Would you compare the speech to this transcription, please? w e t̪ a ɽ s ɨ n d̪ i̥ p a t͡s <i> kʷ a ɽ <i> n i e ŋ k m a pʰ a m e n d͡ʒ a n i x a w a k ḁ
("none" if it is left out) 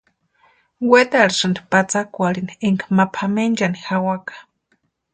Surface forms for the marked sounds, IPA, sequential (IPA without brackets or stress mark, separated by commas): a, i